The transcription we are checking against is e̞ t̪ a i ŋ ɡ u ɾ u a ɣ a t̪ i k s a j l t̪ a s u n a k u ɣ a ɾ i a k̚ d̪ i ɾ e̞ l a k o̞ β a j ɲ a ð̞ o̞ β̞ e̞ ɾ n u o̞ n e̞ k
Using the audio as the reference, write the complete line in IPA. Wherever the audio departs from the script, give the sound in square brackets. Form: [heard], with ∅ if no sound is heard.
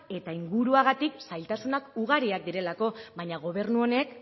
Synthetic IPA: e̞ t̪ a i ŋ ɡ u ɾ u a ɣ a t̪ i k s a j l t̪ a s u n a k u ɣ a ɾ i a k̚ d̪ i ɾ e̞ l a k o̞ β a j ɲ a [ɣ̞] o̞ β̞ e̞ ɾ n u o̞ n e̞ k